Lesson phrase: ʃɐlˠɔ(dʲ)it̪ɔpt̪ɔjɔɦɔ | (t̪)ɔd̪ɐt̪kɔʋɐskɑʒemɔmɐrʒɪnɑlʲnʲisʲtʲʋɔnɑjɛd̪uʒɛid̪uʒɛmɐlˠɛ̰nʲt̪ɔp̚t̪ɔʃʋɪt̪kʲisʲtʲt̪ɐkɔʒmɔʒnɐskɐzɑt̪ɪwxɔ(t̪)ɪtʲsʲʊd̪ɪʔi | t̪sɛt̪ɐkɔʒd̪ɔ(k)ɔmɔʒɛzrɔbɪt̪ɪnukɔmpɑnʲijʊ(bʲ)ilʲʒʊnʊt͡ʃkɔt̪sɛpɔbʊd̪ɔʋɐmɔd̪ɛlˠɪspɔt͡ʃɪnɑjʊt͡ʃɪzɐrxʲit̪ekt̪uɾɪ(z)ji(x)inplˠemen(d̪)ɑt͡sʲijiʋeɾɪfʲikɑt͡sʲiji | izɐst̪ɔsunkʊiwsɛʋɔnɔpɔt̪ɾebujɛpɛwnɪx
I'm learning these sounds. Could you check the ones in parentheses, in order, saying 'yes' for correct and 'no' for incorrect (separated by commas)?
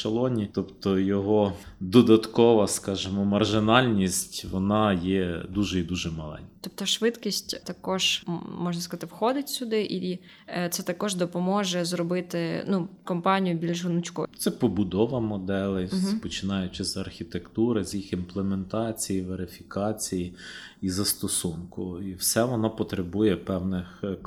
no, no, no, no, yes, yes, yes, no